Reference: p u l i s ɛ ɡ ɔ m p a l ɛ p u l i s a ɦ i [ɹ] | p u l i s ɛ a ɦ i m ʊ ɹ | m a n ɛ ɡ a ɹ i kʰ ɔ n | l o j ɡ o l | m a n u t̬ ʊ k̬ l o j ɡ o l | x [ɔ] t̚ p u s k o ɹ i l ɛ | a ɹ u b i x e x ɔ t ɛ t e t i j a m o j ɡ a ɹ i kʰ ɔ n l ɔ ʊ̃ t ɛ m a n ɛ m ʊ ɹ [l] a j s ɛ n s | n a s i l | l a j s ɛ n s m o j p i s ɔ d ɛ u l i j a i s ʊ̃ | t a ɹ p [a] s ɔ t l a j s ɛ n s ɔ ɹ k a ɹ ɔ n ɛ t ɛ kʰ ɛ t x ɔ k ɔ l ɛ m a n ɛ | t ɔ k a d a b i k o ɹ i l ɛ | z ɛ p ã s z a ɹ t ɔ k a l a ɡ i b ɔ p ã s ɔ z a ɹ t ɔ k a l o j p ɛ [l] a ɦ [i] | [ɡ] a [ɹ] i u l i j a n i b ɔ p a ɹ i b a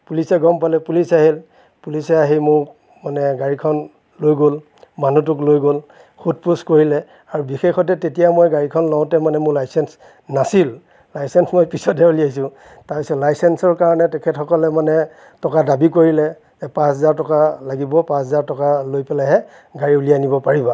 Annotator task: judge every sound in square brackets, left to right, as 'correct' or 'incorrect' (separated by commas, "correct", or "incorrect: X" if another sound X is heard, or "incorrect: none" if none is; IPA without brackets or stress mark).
incorrect: l, incorrect: u, correct, incorrect: i, correct, incorrect: ɛ, correct, correct